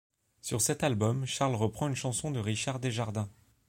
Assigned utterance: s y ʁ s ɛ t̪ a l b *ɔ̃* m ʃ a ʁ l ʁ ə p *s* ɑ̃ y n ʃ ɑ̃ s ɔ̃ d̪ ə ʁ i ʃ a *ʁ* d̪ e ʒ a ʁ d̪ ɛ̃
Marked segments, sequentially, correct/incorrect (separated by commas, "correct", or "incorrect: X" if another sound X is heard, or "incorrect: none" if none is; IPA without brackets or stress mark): incorrect: ɔ, incorrect: χ, correct